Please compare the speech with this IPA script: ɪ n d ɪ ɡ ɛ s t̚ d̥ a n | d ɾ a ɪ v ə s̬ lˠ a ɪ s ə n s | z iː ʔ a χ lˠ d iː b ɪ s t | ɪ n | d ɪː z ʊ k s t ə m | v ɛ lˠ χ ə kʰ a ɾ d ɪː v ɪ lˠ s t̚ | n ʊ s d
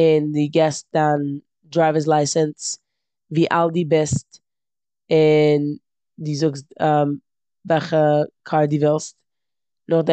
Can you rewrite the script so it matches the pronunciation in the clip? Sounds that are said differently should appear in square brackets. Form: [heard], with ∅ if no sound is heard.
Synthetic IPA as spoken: ɪ n d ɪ ɡ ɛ s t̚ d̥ a n | d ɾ a ɪ v ə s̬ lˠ a ɪ s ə n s | [v] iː ʔ a [∅] lˠ d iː b ɪ s t | ɪ n | d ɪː z ʊ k s t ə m | v ɛ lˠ χ ə kʰ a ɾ d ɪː v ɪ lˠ s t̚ | n ʊ [χ] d